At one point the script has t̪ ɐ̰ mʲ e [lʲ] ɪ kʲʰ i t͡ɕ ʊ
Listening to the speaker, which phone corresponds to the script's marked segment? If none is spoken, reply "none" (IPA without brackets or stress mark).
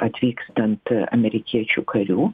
ɾʲ